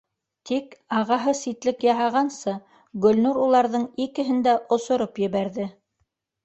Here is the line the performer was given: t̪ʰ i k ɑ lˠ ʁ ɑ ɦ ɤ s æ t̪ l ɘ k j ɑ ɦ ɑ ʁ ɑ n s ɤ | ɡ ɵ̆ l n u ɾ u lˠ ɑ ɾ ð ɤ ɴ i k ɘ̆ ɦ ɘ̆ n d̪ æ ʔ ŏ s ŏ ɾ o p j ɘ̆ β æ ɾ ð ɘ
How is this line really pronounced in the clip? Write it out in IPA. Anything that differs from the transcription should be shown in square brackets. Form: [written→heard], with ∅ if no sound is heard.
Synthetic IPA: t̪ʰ i k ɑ [lˠ→∅] ʁ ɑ ɦ ɤ s [æ→i] t̪ l ɘ k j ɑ ɦ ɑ ʁ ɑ n s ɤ | ɡ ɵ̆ l n u ɾ u lˠ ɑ ɾ ð ɤ ɴ i k ɘ̆ ɦ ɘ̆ n d̪ æ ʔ ŏ s ŏ ɾ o p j ɘ̆ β æ ɾ ð ɘ